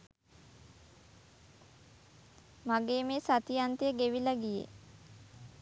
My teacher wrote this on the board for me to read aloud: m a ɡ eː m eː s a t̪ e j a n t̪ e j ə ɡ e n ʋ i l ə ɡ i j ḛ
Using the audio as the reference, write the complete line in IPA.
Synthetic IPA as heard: m a ɡ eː m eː s a t̪ i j a n t̪ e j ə ɡ e ʋ i l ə ɡ i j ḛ